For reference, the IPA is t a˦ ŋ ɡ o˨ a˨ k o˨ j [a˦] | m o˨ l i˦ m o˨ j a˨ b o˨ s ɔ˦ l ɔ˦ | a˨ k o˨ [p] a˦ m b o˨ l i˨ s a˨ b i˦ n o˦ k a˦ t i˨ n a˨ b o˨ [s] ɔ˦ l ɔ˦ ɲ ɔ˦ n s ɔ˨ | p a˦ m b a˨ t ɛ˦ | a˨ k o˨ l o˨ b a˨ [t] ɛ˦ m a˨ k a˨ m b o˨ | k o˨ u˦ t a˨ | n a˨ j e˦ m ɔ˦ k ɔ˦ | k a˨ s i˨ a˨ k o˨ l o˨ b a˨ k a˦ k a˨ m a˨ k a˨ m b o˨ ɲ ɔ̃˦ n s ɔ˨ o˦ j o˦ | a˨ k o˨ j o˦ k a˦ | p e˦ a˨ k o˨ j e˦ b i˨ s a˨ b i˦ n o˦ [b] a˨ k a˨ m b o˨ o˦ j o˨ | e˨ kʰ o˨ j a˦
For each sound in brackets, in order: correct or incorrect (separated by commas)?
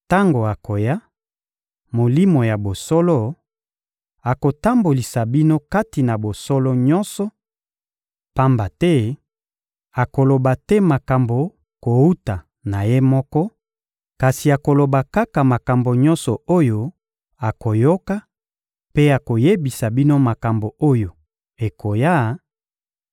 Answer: correct, incorrect, correct, correct, incorrect